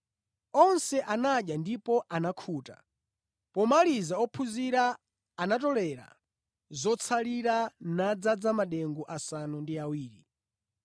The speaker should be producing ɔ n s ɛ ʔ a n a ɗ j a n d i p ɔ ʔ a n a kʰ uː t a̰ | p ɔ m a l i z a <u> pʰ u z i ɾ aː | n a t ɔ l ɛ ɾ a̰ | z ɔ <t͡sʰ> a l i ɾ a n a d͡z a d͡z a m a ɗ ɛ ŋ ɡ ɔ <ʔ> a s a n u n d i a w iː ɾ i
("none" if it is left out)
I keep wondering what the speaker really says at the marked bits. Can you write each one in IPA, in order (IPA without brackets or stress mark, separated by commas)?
ɔ, t͡sʰ, ʔ